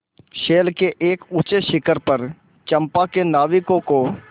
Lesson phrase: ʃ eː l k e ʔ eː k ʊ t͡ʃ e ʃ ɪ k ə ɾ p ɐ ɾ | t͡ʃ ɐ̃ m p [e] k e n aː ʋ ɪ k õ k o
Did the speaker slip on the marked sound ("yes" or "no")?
yes